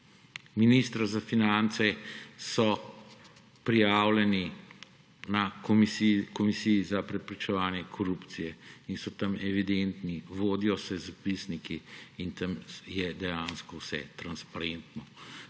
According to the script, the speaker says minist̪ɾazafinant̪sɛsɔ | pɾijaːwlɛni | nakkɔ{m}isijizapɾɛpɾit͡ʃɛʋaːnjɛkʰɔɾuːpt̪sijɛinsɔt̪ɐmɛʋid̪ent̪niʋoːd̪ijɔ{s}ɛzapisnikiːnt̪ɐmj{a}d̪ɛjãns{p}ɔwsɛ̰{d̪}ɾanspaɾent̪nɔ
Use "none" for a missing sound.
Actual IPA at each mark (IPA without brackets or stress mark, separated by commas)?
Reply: m, s, ɛ, k, t̪